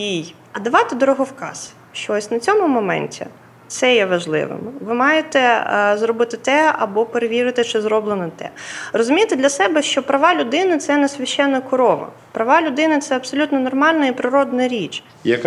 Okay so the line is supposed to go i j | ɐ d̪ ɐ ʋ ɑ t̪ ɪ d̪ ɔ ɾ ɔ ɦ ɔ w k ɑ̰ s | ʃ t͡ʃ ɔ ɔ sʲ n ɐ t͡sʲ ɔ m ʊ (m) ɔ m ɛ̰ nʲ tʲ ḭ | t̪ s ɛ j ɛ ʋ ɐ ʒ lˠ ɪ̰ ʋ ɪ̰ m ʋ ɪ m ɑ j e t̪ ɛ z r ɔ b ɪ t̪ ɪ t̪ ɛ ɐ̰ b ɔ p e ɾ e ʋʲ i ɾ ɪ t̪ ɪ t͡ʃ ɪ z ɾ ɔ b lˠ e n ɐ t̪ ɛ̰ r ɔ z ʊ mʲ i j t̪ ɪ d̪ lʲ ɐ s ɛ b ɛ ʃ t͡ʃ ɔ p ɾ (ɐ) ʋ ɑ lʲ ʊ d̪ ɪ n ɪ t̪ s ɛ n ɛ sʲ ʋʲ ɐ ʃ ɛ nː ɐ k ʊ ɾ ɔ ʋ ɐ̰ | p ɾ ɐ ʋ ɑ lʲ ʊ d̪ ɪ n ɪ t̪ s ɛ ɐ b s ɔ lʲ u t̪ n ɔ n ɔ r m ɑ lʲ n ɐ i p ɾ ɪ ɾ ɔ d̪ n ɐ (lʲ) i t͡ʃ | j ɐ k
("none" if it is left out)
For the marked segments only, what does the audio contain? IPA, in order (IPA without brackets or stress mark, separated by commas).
m, ɐ, ɾʲ